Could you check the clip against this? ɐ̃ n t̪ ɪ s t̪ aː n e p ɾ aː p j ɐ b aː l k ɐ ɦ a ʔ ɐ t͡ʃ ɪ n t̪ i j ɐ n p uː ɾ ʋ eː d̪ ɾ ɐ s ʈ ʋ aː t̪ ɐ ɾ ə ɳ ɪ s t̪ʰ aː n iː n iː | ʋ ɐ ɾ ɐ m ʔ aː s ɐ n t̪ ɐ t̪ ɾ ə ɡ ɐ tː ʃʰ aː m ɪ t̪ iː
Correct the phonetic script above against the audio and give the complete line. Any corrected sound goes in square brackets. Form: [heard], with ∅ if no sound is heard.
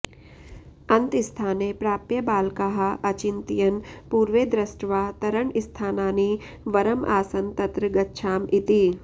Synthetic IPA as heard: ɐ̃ n t̪ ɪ s [t̪ʰ] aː n e p ɾ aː p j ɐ b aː l k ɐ ɦ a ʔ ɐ t͡ʃ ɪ n t̪ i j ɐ n p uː ɾ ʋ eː d̪ ɾ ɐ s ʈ ʋ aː t̪ ɐ ɾ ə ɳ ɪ s t̪ʰ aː n [aː] n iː | ʋ ɐ ɾ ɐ m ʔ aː s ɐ n t̪ ɐ t̪ ɾ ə ɡ ɐ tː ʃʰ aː m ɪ t̪ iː